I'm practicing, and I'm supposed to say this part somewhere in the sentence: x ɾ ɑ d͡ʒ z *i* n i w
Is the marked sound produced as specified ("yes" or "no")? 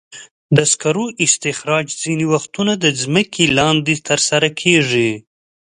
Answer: yes